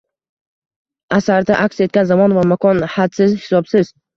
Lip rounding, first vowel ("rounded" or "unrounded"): unrounded